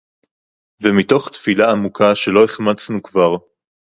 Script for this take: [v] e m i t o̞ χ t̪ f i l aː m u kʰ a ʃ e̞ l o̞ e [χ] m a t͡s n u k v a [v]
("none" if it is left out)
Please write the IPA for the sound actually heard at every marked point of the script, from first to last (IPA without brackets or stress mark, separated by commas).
v, χ, ʁ